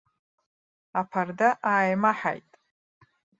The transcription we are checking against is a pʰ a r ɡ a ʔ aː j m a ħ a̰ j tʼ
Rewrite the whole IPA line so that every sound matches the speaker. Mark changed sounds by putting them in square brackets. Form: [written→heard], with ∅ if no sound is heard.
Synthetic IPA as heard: a pʰ a r [ɡ→d] a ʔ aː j m a ħ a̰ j tʼ